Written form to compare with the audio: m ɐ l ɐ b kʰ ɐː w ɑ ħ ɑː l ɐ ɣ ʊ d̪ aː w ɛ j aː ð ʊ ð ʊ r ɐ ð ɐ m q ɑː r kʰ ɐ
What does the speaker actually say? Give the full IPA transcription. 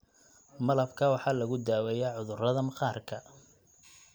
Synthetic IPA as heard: m ɐ l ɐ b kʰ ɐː w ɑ ħ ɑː l ɐ ɣ ʊ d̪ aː w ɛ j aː ʕ ʊ ð ʊ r ɐ ð ɐ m q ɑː r kʰ ɐ

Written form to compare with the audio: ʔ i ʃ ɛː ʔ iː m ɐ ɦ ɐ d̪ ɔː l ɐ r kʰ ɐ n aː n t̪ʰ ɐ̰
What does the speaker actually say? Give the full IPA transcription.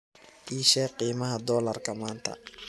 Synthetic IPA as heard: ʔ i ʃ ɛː q iː m ɐ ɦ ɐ d̪ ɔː l ɐ r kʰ ɐ m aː n t̪ʰ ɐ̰

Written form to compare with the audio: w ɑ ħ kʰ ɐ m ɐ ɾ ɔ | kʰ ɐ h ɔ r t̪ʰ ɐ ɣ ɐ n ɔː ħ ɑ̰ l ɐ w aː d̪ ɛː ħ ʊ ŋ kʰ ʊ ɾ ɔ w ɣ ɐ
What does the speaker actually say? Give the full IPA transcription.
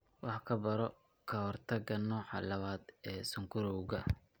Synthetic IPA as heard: w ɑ ħ kʰ ɐ b ɐ ɾ ɔ | kʰ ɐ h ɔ r t̪ʰ ɐ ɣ ɐ n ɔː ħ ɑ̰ l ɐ β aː d̪ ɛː s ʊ ŋ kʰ ʊ ɾ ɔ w ɣ ɐ

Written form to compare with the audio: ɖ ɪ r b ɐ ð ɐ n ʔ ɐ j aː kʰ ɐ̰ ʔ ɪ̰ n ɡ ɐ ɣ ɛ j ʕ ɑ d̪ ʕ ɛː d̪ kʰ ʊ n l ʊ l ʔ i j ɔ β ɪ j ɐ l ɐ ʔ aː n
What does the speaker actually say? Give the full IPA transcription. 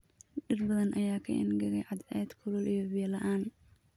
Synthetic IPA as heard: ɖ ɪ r b ɐ ð ɐ n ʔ ɐ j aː kʰ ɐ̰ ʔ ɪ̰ n ɡ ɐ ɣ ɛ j ʕ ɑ d̪ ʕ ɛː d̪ kʰ ʊ l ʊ l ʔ i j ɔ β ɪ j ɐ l ɐ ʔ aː n

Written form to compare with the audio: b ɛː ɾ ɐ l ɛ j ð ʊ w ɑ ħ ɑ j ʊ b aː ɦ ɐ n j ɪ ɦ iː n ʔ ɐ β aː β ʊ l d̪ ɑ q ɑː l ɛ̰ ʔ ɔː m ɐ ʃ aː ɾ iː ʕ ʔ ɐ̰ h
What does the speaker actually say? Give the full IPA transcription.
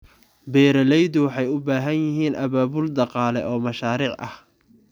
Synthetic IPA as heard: b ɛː ɾ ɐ l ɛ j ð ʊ w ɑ ħ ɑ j ʊ b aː ɦ ɐ n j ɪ ɦ iː n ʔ ɐ β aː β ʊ l d̪ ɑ q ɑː l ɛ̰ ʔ ɔː m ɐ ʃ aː ɾ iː ʕ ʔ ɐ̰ h

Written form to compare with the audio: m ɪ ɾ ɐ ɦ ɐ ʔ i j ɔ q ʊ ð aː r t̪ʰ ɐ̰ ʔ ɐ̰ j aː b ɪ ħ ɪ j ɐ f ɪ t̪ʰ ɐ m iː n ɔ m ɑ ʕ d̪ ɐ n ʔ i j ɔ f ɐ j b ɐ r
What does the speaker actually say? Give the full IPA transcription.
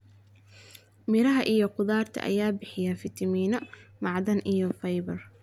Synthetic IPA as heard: m ɪ ɾ ɐ ɦ ɐ ʔ i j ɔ q ʊ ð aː r t̪ʰ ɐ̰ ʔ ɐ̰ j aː b ɪ ħ ɪ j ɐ f ɪ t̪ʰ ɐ m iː n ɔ m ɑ ʕ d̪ ɐ n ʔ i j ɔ f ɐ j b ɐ r

